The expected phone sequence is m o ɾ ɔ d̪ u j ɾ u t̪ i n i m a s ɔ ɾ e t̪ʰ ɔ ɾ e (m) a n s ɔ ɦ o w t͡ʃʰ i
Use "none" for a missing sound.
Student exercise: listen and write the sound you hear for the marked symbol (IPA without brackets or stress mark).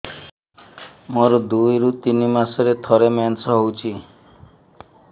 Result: m